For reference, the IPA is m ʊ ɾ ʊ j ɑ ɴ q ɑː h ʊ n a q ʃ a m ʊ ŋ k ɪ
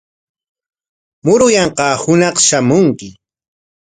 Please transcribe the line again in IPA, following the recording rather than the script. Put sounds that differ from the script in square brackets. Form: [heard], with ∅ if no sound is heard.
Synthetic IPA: m ʊ ɾ ʊ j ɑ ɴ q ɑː h ʊ n [ɑ] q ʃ a m ʊ ŋ k ɪ